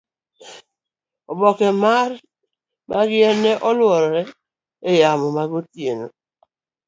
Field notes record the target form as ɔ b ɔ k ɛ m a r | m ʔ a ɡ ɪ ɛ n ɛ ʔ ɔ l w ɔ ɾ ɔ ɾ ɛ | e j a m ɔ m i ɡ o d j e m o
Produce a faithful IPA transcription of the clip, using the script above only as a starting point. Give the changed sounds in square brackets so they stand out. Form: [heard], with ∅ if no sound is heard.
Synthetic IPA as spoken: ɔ b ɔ k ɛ m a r | m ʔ a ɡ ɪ ɛ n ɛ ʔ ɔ l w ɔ ɾ ɔ ɾ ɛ | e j a m ɔ m [a] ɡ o [t] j e [n] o